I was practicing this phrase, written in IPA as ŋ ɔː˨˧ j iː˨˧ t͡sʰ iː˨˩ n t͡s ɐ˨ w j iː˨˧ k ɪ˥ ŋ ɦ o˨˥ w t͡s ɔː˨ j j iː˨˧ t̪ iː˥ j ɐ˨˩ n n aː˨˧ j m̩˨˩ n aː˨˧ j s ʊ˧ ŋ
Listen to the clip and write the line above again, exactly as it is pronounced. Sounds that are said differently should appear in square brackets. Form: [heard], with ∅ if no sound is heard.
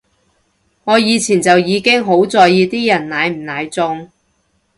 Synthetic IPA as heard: ŋ ɔː˨˧ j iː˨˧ t͡sʰ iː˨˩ n t͡s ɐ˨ w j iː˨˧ k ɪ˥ ŋ ɦ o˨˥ w t͡s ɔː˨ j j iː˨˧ t̪ iː˥ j ɐ˨˩ n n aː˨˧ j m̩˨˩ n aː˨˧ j [t͡s] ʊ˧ ŋ